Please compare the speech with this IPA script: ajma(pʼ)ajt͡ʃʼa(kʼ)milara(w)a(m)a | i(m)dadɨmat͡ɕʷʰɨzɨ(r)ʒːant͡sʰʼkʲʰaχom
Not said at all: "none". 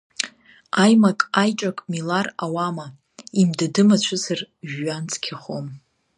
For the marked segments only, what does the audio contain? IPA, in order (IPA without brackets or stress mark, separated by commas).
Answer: kʼ, kʼ, w, m, m, r